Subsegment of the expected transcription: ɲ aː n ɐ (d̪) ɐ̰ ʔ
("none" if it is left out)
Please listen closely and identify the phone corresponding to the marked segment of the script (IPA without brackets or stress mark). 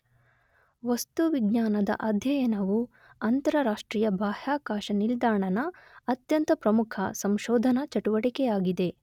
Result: d̪